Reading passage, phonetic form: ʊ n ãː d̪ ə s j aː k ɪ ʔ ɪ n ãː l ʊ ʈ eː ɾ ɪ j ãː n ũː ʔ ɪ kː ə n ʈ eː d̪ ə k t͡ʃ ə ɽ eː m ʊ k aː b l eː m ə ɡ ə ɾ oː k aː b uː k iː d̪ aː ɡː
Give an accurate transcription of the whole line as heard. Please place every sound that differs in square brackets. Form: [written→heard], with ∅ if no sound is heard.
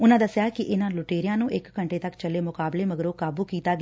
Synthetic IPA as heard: ʊ n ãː d̪ ə s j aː k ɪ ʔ ɪ n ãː l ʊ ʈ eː ɾ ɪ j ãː n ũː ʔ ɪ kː ə [n→ɳ] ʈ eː [d̪→t̪] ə k t͡ʃ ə [ɽ→l] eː m ʊ k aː b l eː m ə ɡ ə ɾ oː k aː b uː k iː [d̪→t̪] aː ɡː